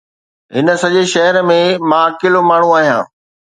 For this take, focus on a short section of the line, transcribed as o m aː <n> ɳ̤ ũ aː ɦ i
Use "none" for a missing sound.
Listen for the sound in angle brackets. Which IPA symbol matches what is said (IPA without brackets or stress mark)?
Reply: none